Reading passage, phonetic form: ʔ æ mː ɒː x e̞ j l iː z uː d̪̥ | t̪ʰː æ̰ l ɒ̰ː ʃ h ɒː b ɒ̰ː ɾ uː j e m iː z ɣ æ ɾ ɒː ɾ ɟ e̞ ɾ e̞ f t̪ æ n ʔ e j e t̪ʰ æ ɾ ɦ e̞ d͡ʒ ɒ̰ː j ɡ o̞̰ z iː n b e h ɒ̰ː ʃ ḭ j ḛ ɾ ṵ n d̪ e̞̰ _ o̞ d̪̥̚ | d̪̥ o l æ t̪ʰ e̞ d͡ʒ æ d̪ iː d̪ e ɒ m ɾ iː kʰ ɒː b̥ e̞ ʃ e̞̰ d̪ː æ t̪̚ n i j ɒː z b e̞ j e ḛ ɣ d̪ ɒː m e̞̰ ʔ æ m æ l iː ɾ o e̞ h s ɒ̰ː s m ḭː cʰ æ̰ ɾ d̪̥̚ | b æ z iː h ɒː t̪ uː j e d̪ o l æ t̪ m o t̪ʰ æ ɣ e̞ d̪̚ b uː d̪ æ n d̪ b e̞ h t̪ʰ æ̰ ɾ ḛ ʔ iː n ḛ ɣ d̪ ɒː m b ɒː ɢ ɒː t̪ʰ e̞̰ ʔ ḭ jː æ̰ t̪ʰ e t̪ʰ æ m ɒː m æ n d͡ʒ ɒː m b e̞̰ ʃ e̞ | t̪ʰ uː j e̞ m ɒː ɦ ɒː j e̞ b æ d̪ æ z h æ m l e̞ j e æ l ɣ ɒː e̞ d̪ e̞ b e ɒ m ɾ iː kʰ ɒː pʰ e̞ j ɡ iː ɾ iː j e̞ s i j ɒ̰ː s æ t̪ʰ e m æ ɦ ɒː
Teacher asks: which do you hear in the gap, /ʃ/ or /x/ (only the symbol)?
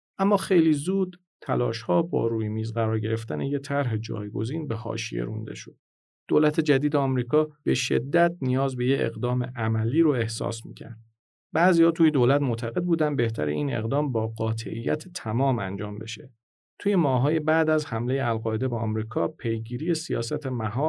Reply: ʃ